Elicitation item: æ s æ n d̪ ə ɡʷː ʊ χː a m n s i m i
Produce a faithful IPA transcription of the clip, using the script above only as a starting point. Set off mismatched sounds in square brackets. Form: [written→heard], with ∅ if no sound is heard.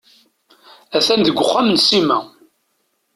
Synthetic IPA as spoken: æ [s→θ] æ n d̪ ə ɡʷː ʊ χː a m n s i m [i→æ]